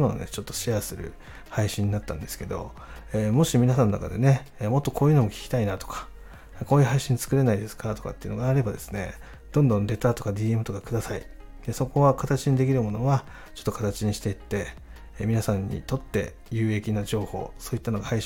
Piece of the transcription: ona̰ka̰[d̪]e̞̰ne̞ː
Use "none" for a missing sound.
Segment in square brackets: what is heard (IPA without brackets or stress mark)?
d̪